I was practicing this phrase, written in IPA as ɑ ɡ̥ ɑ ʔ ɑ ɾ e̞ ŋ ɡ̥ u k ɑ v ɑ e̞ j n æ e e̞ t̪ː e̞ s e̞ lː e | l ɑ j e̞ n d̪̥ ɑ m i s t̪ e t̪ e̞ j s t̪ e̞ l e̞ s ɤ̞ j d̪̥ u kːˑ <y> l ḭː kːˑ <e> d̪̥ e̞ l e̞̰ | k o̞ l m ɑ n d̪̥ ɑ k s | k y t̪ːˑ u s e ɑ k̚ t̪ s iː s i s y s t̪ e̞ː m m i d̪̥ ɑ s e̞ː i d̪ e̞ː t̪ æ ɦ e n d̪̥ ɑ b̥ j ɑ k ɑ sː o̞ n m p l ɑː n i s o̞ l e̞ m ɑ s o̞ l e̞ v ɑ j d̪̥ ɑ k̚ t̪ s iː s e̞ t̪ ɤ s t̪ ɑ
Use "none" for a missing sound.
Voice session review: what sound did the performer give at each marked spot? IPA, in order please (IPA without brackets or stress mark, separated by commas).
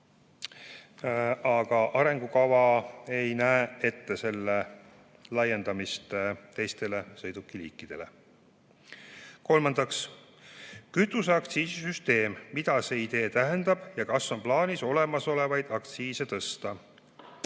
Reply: i, i